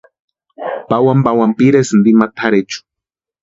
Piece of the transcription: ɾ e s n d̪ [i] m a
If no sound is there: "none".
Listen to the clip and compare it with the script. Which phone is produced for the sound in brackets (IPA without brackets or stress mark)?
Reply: i